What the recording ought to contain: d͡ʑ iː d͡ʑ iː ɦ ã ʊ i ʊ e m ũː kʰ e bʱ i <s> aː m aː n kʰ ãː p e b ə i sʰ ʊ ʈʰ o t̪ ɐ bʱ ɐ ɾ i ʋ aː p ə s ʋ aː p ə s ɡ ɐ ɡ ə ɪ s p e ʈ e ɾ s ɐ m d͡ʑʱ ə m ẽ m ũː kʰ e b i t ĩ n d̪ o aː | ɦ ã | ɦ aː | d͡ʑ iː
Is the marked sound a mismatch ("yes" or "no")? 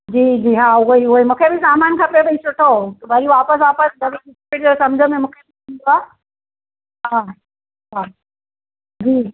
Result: no